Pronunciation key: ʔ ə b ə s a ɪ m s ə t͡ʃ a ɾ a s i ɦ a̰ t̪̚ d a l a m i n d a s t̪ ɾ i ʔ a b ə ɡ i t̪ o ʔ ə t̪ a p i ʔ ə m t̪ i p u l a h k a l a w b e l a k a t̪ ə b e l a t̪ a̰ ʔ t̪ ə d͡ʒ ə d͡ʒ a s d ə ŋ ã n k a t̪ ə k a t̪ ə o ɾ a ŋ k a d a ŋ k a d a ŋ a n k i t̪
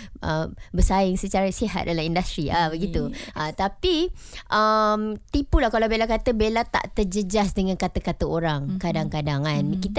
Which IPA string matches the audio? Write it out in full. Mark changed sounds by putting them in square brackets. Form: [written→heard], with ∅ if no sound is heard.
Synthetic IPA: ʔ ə b ə s a ɪ [m→ŋ] s ə t͡ʃ a ɾ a s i ɦ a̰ t̪̚ d a l a m i n d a s t̪ ɾ i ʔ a b ə ɡ i t̪ [o→u] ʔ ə t̪ a p i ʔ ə m t̪ i p u l a h k a l a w b e l a k a t̪ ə b e l a t̪ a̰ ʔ t̪ ə d͡ʒ ə d͡ʒ a s d ə ŋ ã n k a t̪ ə k a t̪ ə o ɾ a ŋ k a d a ŋ k a d a ŋ a n k i t̪